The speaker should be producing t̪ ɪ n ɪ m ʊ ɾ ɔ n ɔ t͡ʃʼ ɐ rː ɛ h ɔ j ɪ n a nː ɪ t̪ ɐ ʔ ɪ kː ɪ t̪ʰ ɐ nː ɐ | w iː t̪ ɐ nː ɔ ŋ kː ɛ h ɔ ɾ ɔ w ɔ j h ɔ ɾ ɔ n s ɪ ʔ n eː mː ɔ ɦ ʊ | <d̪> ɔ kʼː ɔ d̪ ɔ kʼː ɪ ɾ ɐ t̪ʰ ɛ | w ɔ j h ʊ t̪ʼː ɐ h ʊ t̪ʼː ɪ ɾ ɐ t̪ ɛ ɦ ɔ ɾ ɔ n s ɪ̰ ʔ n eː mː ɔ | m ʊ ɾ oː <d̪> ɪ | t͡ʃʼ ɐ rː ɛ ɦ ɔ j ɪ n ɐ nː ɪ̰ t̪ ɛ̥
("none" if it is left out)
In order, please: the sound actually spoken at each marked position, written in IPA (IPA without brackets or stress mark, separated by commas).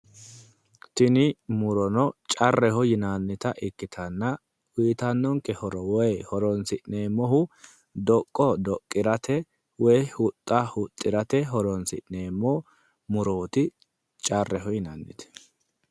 d̪, t̪